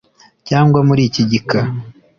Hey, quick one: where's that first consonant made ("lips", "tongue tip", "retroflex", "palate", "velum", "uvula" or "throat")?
palate